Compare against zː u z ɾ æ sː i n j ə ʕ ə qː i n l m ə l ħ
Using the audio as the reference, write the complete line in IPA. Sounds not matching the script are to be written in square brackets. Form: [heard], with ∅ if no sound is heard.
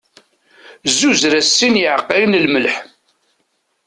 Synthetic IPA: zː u z ɾ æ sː i n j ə ʕ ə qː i n l m ə l ħ